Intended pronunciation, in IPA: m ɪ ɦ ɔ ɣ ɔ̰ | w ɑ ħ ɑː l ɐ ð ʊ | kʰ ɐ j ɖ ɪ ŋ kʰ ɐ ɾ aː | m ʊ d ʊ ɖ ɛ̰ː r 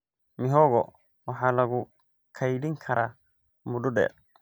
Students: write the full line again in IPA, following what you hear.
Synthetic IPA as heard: m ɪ ɦ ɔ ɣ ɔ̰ | w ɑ ħ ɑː l ɐ ɣ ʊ | kʰ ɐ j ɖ ɪ ŋ kʰ ɐ ɾ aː | m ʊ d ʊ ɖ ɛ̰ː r